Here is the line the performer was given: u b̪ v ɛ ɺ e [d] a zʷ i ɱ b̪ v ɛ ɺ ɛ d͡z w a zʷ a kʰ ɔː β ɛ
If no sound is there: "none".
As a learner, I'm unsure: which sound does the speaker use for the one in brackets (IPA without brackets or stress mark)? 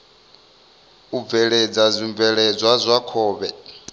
d͡z